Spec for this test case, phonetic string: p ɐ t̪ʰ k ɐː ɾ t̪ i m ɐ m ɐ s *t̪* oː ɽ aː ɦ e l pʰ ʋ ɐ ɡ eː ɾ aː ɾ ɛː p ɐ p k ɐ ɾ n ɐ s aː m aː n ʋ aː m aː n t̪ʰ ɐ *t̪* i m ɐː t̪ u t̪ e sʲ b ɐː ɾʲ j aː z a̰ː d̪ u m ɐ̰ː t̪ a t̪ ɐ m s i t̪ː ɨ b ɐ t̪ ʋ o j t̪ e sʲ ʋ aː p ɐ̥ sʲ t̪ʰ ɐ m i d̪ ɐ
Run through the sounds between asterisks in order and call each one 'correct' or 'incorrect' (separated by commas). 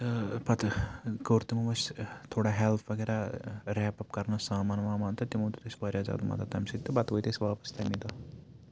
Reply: incorrect, correct